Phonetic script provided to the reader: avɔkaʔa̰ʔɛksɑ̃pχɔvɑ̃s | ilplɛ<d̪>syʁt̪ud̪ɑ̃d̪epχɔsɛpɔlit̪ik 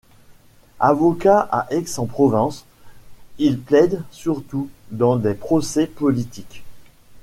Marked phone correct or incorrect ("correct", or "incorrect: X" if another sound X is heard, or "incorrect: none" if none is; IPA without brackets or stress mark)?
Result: correct